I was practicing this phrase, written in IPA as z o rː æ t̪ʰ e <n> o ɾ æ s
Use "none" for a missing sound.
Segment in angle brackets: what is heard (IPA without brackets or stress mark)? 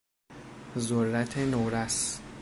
n